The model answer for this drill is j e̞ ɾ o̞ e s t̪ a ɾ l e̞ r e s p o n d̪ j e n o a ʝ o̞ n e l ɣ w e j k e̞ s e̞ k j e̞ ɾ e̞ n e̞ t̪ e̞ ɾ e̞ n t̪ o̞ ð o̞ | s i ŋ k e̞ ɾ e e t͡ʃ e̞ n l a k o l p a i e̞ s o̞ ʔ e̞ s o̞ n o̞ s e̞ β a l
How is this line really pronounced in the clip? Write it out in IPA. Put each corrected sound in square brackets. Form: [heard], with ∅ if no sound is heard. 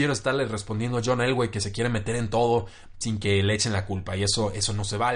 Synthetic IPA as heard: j e̞ ɾ o̞ e s t̪ a ɾ l e̞ r e s p o n d̪ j e n o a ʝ o̞ n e l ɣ w e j k e̞ s e̞ k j e̞ ɾ e̞ [m] e̞ t̪ e̞ ɾ e̞ n t̪ o̞ ð o̞ | s i ŋ k e̞ [l] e e t͡ʃ e̞ n l a k [u] l p a i e̞ s o̞ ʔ e̞ s o̞ n o̞ s e̞ β a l